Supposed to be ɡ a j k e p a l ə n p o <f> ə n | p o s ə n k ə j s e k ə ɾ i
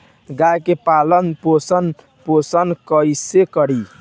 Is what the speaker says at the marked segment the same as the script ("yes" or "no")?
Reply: no